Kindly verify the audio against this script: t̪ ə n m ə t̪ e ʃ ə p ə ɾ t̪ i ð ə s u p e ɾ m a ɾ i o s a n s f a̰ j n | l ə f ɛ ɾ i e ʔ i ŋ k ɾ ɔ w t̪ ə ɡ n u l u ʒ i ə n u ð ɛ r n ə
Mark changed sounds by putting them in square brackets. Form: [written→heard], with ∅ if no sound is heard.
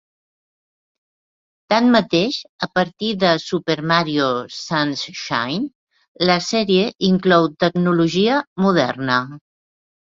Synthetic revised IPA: t̪ [ə→a] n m ə t̪ e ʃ ə p ə ɾ t̪ i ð ə s u p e ɾ m a ɾ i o s a n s [f→ʃ] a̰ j n | l ə [f→s] ɛ ɾ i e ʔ i ŋ k [ɾ→l] ɔ w t̪ ə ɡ n u l u ʒ i ə [n→m] u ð ɛ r n ə